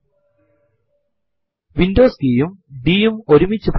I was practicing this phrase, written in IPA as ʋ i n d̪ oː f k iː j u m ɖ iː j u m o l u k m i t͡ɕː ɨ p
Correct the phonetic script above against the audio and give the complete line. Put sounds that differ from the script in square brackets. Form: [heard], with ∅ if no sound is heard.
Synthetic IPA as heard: ʋ i n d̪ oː [s] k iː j u m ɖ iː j u m o [ɾ] u [∅] m i t͡ɕː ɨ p